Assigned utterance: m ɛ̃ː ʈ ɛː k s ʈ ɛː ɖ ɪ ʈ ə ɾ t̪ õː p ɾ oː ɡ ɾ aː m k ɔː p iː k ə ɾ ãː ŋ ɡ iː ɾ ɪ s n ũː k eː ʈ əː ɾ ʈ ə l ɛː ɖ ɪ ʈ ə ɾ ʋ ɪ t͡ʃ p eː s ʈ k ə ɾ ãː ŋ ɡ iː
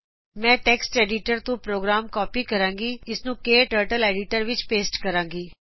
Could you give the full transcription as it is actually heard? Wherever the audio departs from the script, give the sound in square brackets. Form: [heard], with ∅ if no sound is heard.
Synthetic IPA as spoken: m ɛ̃ː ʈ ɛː k s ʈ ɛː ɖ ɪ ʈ ə ɾ t̪ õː p ɾ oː ɡ ɾ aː m k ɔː p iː k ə ɾ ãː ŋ ɡ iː [∅] ɪ s n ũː k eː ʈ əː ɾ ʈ ə l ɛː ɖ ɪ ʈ ə ɾ ʋ ɪ t͡ʃ p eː s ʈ k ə ɾ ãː ŋ ɡ iː